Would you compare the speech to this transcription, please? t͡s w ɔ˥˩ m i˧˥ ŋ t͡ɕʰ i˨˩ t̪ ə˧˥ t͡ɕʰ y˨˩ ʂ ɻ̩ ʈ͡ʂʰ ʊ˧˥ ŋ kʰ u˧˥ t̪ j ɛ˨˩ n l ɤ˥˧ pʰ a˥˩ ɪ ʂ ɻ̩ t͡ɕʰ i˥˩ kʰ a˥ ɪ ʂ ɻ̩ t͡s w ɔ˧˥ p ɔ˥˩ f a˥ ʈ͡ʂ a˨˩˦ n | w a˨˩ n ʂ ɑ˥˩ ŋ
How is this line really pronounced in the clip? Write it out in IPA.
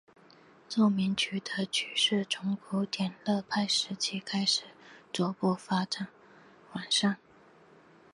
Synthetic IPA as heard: t͡s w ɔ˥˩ m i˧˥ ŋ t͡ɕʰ y˨˩ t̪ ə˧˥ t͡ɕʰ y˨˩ ʂ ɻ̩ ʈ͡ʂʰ ʊ˧˥ ŋ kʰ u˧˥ t̪ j ɛ˨˩ n l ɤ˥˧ pʰ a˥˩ ɪ ʂ ɻ̩ t͡ɕʰ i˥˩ kʰ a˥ ɪ ʂ ɻ̩ t͡s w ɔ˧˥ p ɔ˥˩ f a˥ ʈ͡ʂ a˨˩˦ n | w a˨˩ n ʂ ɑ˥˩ ŋ